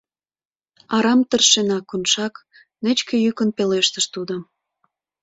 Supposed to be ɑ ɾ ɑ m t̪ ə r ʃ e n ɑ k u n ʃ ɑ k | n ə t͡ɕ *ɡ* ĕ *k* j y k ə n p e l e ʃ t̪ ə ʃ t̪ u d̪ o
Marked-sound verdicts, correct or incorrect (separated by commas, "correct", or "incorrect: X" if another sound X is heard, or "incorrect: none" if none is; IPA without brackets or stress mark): incorrect: k, incorrect: none